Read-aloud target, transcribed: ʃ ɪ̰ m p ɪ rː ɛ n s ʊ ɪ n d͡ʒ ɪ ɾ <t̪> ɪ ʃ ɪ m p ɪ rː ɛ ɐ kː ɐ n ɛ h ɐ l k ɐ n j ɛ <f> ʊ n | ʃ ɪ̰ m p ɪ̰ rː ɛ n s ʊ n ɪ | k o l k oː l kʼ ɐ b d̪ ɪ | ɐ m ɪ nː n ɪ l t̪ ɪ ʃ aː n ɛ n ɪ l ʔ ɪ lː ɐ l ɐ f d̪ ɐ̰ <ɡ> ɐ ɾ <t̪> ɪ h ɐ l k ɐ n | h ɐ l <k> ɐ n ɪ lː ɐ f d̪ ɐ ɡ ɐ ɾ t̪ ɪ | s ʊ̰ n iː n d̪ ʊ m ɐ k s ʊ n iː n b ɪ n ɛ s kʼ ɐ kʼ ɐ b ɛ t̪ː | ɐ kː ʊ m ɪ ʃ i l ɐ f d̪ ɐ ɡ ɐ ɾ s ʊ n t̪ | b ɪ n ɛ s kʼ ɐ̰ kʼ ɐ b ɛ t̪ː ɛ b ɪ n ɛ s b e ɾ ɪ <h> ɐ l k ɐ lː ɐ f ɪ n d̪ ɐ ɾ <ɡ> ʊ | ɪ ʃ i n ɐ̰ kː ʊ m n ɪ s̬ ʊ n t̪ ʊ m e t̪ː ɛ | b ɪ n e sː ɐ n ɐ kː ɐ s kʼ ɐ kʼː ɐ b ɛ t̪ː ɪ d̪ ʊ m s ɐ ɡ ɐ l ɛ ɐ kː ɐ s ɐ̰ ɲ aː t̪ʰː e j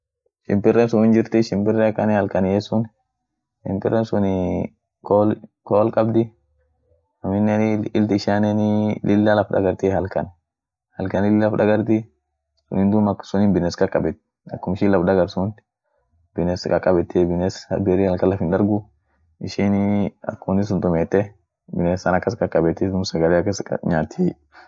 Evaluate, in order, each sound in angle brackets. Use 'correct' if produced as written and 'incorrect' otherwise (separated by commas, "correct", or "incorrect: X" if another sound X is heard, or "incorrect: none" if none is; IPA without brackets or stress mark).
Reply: correct, incorrect: s, correct, correct, correct, correct, correct